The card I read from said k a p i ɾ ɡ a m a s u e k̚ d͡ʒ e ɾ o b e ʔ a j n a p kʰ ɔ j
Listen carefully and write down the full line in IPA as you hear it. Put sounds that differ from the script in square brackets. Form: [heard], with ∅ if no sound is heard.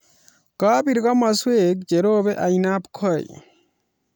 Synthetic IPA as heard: k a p i ɾ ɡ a m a s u e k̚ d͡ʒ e ɾ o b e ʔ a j n a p kʰ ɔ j